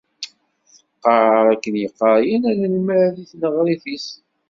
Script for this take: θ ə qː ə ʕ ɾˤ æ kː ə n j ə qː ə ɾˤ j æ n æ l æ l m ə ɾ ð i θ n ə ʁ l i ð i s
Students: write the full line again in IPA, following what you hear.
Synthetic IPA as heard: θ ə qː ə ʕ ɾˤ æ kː ə n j ə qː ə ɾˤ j æ n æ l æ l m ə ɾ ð i θ n ə ʁ ɾ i θ i s